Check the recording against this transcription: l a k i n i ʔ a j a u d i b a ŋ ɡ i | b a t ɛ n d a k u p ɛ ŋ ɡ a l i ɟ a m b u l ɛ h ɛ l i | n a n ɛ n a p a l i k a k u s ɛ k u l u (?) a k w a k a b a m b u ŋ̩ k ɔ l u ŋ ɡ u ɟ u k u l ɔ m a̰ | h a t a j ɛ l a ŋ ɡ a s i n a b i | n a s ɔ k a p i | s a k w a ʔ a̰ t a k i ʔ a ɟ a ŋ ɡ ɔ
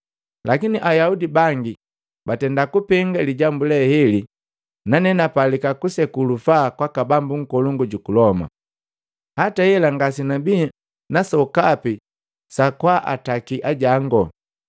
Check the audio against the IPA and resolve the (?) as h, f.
f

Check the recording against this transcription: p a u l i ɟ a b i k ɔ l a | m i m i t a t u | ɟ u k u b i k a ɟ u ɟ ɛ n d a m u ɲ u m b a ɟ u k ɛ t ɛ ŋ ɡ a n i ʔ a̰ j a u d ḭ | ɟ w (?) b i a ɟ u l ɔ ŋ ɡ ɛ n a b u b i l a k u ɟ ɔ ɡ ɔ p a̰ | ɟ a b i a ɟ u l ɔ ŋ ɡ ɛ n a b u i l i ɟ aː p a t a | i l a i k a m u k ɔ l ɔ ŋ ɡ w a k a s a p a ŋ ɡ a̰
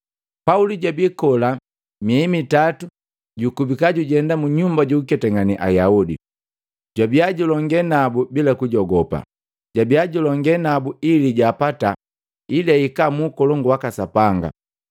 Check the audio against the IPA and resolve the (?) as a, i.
a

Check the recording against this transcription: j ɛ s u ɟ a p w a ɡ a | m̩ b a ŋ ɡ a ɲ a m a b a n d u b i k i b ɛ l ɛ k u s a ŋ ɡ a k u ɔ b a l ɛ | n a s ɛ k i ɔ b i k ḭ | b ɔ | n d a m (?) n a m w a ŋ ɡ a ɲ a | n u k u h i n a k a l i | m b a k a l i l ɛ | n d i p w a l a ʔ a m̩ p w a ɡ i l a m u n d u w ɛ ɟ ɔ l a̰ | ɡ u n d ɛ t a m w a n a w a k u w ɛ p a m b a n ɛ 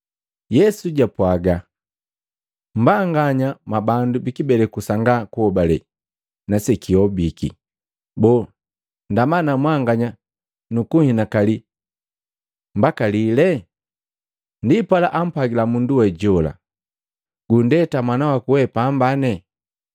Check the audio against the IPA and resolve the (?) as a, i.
a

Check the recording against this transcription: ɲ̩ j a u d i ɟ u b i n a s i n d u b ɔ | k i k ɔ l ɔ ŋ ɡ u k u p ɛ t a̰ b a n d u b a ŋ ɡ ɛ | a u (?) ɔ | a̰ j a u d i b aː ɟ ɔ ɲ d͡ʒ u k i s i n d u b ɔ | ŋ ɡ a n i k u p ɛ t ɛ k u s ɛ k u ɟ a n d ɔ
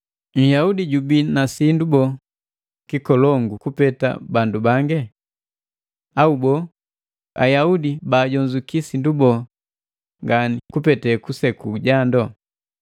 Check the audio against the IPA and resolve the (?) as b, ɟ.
b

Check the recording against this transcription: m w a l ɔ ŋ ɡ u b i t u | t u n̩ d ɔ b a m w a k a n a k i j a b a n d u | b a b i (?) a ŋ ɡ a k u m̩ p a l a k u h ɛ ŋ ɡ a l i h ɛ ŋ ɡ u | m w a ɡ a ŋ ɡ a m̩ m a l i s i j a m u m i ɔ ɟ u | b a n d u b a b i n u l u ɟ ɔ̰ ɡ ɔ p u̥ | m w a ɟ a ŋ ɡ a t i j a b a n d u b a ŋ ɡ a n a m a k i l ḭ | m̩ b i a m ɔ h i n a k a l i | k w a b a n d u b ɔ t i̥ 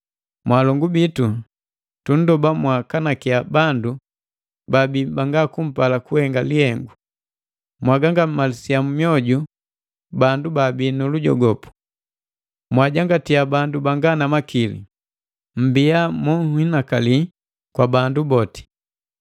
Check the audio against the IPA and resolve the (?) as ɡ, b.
b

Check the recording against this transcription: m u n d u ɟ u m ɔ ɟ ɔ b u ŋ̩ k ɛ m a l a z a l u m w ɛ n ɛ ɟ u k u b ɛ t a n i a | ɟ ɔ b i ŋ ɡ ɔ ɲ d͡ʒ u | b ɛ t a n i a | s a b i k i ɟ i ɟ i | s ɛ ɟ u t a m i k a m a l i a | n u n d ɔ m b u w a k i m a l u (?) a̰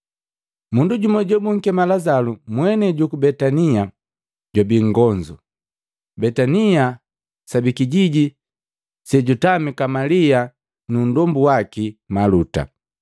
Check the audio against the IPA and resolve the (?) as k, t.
t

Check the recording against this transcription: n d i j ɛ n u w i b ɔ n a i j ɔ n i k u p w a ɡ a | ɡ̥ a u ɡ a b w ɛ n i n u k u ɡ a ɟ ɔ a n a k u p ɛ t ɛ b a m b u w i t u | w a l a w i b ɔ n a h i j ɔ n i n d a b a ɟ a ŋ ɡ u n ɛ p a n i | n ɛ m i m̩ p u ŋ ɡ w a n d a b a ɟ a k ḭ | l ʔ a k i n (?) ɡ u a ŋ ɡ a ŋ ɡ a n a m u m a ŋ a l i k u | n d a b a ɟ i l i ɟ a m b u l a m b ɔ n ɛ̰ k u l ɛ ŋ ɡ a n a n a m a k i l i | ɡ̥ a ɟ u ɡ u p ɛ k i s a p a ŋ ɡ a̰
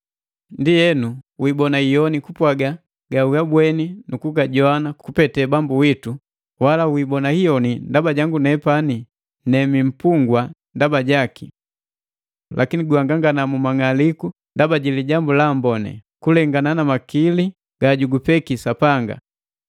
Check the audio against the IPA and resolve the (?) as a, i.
i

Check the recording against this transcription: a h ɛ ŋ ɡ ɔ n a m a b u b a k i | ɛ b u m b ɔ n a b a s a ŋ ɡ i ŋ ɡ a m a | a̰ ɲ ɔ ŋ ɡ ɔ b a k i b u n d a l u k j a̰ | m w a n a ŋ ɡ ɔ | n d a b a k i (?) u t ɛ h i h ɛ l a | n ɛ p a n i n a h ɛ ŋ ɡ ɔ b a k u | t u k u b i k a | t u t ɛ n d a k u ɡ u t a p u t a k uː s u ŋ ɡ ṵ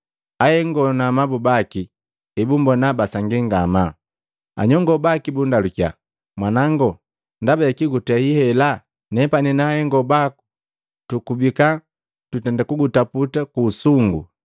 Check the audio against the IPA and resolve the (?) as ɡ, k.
ɡ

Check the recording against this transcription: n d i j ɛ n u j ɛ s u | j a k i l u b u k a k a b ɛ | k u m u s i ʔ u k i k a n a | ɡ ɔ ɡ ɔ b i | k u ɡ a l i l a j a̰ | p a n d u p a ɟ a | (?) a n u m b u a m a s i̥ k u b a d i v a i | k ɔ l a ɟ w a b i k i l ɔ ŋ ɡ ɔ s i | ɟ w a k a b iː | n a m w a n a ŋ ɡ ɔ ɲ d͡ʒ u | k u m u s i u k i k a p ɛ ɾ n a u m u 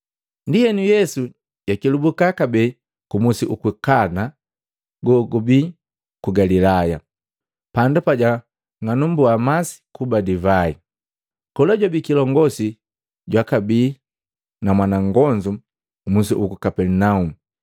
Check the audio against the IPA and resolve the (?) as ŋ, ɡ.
ŋ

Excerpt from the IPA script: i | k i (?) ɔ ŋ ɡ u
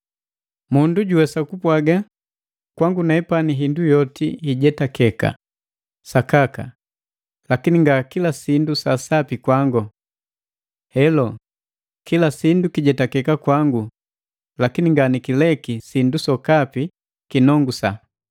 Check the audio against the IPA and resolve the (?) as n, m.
n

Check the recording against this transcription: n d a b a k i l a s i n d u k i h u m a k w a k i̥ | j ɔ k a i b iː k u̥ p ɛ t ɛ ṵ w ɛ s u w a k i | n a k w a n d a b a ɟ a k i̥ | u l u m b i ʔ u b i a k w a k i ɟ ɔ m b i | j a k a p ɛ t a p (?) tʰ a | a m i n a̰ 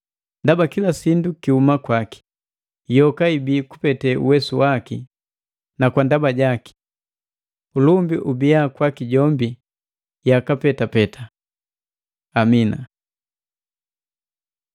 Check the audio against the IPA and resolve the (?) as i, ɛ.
ɛ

